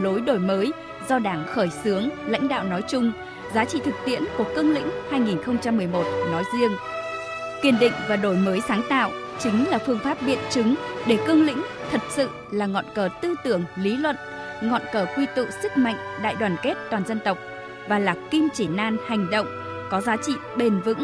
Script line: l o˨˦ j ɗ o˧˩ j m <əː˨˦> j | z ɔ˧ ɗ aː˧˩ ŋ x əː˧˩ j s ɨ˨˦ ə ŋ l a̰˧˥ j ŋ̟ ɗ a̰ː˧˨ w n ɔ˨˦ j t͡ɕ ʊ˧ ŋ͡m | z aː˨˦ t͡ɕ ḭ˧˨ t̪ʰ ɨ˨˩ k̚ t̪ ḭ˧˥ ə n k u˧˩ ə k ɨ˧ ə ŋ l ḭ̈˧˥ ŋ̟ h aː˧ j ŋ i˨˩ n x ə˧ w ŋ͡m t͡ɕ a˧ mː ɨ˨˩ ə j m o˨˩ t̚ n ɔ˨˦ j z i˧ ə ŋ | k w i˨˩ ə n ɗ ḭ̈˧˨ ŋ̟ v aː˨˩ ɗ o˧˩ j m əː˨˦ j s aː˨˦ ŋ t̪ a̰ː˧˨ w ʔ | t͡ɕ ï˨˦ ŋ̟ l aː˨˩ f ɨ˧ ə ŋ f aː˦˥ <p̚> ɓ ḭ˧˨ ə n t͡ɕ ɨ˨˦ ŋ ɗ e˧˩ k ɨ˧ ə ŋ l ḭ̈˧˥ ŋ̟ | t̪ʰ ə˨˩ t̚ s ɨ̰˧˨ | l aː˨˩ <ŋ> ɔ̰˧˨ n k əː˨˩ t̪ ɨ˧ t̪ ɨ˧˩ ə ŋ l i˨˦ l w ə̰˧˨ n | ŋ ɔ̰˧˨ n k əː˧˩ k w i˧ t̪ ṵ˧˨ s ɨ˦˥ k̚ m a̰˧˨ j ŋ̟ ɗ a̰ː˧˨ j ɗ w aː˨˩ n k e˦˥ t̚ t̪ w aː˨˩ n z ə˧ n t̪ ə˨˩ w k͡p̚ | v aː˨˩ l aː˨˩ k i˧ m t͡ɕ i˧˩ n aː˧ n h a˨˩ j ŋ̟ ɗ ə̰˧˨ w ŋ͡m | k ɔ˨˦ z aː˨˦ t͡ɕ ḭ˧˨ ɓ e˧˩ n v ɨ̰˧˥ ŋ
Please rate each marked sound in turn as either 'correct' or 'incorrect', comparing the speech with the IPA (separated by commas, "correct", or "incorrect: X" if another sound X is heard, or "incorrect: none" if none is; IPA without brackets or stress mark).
correct, correct, correct